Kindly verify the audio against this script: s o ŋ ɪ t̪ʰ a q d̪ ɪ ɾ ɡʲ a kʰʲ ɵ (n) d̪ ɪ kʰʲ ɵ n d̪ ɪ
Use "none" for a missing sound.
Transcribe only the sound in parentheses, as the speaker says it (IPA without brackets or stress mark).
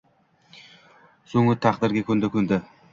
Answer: n